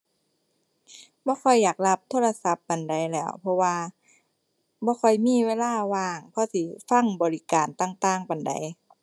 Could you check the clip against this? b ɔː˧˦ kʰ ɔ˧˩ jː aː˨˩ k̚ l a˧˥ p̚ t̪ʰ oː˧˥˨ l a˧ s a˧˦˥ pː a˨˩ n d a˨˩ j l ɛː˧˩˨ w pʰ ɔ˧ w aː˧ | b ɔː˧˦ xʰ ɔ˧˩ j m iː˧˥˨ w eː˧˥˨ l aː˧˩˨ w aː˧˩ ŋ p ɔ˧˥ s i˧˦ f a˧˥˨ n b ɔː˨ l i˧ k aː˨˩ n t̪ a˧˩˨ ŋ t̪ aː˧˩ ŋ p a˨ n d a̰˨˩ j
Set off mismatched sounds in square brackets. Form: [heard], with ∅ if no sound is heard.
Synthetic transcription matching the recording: b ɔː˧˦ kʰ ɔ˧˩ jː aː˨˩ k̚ l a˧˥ p̚ t̪ʰ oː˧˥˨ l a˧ s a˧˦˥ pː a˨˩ n d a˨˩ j l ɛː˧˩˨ w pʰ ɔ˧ w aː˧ | b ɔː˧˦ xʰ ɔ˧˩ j m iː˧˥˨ w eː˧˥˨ l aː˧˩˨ w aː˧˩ ŋ [pʰ] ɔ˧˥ s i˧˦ f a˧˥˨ [ŋ] b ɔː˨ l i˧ k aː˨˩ n t̪ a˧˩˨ ŋ t̪ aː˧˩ ŋ p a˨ n d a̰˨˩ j